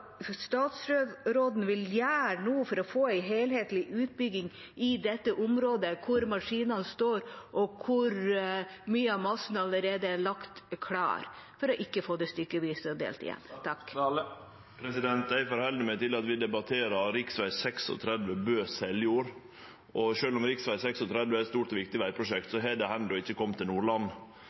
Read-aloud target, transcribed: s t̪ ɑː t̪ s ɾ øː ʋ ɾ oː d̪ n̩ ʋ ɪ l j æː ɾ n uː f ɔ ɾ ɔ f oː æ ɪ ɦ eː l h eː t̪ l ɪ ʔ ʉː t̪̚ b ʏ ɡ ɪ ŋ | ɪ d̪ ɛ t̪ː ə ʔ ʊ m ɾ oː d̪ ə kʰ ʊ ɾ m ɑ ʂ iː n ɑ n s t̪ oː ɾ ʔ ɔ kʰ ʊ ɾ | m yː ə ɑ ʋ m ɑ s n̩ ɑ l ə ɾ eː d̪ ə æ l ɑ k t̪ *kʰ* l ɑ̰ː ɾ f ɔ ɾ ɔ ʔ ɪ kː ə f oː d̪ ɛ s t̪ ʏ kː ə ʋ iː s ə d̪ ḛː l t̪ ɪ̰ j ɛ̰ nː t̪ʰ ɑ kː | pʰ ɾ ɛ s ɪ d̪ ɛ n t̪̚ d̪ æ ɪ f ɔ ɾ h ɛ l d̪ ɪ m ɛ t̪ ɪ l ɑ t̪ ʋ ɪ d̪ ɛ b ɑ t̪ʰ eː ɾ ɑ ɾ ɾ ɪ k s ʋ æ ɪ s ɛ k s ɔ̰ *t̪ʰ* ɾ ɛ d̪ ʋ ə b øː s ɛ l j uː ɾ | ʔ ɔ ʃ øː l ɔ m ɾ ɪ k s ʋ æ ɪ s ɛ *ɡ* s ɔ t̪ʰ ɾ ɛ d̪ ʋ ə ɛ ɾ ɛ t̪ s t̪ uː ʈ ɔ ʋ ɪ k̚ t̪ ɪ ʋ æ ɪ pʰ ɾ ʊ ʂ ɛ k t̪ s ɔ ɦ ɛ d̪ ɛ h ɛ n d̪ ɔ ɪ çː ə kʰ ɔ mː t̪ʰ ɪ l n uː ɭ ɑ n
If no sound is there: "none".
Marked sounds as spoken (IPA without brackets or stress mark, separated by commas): kʰ, t̪ʰ, k